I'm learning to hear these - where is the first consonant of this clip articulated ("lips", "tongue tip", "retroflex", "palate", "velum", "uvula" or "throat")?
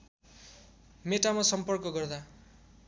lips